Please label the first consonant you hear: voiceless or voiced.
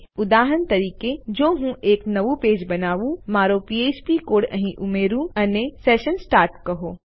voiced